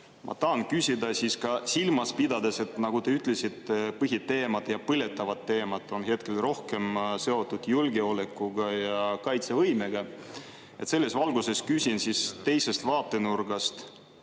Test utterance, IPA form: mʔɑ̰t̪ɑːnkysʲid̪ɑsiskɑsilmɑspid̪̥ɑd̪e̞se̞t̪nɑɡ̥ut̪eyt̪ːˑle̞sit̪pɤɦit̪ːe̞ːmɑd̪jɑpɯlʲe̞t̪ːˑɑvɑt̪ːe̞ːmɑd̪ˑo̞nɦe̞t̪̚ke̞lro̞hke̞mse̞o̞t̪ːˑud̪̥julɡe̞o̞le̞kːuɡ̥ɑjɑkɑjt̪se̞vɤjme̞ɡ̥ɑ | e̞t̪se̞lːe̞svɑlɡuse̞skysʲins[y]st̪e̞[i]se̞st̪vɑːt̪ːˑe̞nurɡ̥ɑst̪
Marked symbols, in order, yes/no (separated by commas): no, no